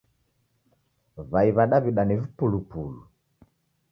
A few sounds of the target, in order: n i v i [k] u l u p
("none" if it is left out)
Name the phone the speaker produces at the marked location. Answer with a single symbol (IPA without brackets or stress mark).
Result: p